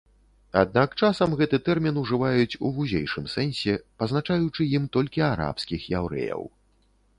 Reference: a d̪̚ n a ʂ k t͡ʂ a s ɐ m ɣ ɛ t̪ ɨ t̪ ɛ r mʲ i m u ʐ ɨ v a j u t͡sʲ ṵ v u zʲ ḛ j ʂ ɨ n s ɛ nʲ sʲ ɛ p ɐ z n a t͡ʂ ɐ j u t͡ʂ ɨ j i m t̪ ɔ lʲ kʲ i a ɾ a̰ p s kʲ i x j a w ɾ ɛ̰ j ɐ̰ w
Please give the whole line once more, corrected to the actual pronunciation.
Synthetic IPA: a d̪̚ n a k t͡ʂ a s ɐ m ɣ ɛ t̪ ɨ t̪ ɛ r mʲ i n u ʐ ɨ v a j u t͡sʲ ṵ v u zʲ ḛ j ʂ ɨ m s ɛ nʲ sʲ ɛ p ɐ z n a t͡ʂ a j u t͡ʂ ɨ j i m t̪ ɔ lʲ kʲ i a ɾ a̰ p s kʲ i x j a w ɾ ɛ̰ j ɐ̰ w